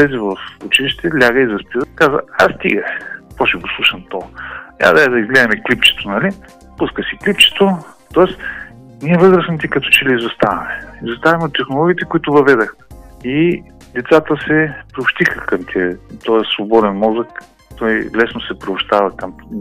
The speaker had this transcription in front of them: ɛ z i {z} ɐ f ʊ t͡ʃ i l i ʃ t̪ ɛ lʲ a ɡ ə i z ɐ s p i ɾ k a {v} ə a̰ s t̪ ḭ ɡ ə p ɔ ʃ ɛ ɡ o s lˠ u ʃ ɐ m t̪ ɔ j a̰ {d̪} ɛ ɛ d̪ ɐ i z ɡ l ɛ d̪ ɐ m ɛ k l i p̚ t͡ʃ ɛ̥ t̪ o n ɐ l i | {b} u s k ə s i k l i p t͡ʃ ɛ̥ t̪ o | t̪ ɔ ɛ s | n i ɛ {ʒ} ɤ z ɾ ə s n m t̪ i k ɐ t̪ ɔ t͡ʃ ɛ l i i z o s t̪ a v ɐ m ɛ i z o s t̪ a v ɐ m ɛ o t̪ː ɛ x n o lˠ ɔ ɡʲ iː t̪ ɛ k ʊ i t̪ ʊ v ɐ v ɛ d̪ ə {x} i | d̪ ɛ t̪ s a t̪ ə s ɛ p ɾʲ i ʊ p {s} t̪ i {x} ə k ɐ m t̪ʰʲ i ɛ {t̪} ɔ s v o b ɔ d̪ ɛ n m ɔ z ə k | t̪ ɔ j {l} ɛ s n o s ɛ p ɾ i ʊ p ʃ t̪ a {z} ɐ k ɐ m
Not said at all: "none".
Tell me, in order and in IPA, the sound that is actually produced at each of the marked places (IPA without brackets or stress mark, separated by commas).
v, z, d̪, p, v, x, ʃ, x, t̪, l, v